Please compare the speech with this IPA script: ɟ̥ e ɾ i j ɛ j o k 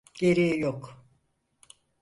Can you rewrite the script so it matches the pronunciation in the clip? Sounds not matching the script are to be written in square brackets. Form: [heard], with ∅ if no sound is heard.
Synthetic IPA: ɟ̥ e ɾ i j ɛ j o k

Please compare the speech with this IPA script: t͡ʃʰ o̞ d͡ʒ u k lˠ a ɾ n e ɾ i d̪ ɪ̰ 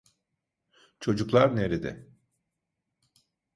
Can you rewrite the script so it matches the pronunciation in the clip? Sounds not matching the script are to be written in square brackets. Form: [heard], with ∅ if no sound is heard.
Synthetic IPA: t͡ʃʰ o̞ d͡ʒ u k lˠ a ɾ n e ɾ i d̪ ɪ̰

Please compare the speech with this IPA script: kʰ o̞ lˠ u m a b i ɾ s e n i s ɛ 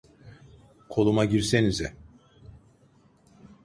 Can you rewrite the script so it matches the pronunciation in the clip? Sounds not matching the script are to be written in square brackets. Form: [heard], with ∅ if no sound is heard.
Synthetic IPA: kʰ o̞ lˠ u m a [ɟ] i ɾ s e n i [z] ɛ

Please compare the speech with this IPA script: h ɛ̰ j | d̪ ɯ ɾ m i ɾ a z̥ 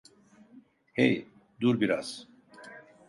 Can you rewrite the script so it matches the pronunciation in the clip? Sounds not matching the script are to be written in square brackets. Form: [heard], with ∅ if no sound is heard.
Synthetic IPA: h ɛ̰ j | d̪ [u] ɾ [b] i ɾ a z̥

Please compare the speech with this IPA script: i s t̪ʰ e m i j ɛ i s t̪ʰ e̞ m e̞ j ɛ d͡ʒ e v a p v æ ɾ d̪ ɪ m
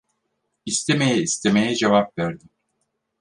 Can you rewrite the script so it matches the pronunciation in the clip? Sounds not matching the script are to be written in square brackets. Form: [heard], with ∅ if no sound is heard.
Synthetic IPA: i s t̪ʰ e m [e] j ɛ i s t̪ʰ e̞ m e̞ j ɛ d͡ʒ e v a p v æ ɾ d̪ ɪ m

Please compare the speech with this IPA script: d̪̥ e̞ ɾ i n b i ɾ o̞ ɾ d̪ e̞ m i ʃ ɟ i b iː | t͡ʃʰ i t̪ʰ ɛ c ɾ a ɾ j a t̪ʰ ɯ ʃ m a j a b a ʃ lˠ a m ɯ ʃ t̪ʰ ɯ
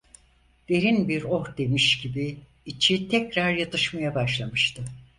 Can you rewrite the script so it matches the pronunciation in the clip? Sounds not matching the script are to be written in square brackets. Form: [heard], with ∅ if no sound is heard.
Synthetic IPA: d̪̥ e̞ ɾ i n b i ɾ o̞ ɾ d̪ e̞ m i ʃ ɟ i b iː | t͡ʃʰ i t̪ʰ ɛ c ɾ a ɾ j a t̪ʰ ɯ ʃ m a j a b a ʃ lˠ a m ɯ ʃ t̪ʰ ɯ

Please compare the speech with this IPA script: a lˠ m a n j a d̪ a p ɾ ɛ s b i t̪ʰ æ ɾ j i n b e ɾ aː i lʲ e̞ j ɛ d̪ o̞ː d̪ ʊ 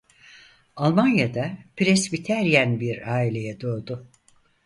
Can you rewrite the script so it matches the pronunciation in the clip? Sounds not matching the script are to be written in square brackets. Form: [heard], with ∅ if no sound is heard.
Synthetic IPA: a lˠ m a n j a d̪ a p ɾ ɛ s b i t̪ʰ æ ɾ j [æ] n b [i] ɾ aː i lʲ e̞ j ɛ d̪ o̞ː d̪ ʊ

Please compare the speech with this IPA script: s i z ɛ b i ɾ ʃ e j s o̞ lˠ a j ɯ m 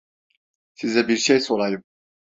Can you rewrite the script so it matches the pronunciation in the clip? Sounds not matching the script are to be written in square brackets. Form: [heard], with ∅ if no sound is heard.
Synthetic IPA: s i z ɛ b i ɾ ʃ e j s o̞ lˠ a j ɯ m

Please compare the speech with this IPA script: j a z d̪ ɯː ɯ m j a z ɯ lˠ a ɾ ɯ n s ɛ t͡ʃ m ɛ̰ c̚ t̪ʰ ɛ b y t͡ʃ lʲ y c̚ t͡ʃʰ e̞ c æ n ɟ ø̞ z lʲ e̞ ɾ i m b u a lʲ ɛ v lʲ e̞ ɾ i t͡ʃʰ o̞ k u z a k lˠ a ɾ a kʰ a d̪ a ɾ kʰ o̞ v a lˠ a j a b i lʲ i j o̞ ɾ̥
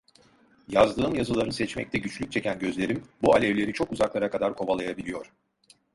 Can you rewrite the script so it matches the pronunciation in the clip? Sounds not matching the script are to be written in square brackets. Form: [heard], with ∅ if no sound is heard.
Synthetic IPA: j a z d̪ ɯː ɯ m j a z ɯ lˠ a ɾ ɯ n s ɛ t͡ʃ m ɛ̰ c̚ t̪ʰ ɛ [ɟ] y t͡ʃ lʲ y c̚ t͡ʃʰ e̞ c æ n ɟ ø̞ z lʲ e̞ ɾ i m b u a lʲ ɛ v lʲ e̞ ɾ i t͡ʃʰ o̞ k u z a k lˠ a ɾ a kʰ a d̪ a ɾ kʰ o̞ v a lˠ a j a b i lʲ i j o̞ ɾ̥

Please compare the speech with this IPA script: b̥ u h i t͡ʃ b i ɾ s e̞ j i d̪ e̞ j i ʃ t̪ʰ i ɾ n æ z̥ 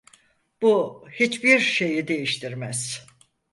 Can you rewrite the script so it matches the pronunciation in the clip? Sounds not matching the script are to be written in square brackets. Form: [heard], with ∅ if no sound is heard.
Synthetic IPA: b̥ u h i t͡ʃ b i ɾ [ʃ] e̞ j i d̪ e̞ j i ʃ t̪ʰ i ɾ [m] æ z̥

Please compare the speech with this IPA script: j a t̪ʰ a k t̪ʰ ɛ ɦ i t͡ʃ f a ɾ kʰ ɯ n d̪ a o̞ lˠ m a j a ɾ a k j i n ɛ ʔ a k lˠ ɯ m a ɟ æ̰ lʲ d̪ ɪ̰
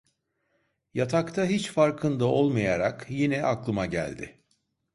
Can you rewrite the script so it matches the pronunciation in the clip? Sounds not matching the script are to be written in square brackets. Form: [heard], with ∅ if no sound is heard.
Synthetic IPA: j a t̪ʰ a k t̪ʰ [a] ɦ i t͡ʃ f a ɾ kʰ ɯ n d̪ a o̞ lˠ m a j a ɾ a k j i n ɛ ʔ a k lˠ ɯ m a ɟ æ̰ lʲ d̪ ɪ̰

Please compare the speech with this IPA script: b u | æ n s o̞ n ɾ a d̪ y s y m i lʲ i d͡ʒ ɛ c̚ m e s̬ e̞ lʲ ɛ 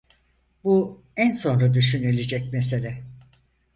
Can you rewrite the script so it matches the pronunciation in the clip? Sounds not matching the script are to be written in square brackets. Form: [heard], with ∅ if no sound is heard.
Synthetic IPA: b u | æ n s o̞ n ɾ a d̪ y [ʃ] y [n] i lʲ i d͡ʒ ɛ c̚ m e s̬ e̞ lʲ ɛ

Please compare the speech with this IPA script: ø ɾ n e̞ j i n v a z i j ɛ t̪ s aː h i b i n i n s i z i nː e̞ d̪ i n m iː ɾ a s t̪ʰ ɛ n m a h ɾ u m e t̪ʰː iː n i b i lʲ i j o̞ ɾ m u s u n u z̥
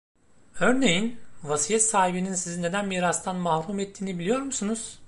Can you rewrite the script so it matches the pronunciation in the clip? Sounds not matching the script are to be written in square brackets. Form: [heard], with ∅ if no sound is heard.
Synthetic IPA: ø ɾ n e̞ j i n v a [s] i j ɛ t̪ s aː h i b i n i n s i z i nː e̞ d̪ [æ] n m iː ɾ a s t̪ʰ [a] n m a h ɾ u m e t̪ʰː iː n i b i lʲ i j o̞ ɾ m u s u n u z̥

